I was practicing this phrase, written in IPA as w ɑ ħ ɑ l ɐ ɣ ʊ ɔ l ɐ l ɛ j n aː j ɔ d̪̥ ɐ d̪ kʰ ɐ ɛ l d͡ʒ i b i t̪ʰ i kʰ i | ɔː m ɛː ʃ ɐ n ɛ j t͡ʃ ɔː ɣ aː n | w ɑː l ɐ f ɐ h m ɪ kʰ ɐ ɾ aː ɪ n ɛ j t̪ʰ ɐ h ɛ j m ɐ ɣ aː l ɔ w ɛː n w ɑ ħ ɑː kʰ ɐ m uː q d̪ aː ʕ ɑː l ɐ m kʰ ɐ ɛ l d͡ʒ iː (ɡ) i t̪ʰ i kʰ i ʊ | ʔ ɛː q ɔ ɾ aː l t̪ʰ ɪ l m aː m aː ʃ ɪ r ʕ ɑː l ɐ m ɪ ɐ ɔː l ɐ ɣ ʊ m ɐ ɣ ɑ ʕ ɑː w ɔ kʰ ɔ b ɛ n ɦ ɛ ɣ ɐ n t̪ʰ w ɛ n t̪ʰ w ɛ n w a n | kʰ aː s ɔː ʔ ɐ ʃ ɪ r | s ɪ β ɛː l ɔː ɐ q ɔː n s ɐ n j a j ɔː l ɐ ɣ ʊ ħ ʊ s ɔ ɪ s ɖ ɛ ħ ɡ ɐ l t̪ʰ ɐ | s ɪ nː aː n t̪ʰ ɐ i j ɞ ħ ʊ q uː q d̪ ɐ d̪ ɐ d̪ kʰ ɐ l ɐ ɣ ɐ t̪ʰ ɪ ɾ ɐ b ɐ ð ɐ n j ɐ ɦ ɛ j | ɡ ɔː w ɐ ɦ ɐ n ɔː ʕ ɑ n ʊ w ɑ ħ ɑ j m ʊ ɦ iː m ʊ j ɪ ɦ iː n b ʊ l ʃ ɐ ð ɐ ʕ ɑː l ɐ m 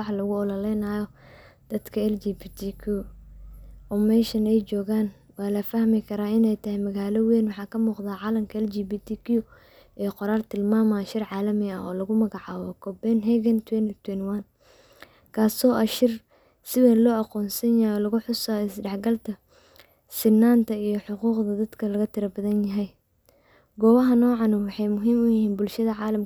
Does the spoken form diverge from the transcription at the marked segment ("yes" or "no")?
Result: yes